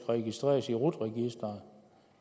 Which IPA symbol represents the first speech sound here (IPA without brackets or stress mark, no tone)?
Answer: ʁ